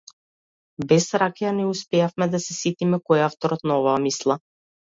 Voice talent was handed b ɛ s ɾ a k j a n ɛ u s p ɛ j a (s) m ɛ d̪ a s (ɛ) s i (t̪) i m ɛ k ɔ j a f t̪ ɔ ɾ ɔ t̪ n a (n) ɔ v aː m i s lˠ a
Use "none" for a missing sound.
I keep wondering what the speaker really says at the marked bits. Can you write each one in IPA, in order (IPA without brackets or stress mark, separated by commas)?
f, ɛ, t̪, none